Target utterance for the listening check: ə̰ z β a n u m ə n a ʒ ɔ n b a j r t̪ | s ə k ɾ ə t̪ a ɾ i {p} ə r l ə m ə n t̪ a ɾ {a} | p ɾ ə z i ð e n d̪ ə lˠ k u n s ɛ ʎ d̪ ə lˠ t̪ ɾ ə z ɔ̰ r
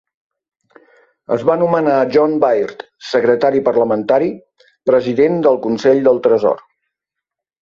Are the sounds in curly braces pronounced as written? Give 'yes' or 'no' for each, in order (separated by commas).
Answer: yes, no